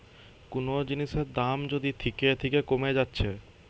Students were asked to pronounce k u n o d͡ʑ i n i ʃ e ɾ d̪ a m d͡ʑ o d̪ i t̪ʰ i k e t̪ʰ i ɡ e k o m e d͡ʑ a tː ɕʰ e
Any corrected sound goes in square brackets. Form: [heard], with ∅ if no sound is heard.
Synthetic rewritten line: k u n o d͡ʑ i n i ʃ e ɾ d̪ a m d͡ʑ o d̪ i t̪ʰ i k e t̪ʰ i [k] e k o m e d͡ʑ a tː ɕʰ e